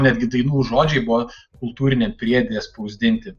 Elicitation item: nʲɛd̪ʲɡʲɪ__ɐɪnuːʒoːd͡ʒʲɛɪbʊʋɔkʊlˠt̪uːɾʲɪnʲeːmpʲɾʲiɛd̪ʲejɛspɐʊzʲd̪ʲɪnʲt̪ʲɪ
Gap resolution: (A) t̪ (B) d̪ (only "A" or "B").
B